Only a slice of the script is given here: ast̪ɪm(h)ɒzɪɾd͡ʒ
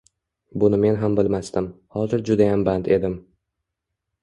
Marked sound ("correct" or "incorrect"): correct